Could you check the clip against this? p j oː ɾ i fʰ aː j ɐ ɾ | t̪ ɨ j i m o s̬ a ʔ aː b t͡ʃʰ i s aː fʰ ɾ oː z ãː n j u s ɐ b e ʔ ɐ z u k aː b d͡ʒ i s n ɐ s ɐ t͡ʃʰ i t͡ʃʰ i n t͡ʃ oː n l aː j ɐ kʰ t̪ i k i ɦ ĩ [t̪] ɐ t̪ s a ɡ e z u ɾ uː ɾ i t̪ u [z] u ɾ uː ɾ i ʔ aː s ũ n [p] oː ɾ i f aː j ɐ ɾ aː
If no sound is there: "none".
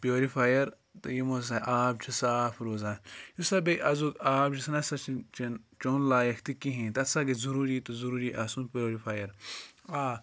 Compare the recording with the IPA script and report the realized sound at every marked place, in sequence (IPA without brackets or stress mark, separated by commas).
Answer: t̪, z, p